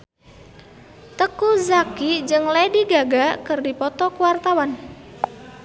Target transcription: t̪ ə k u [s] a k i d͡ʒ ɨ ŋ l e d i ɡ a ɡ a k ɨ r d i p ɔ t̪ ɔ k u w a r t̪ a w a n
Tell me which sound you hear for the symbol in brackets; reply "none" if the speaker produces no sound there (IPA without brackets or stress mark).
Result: z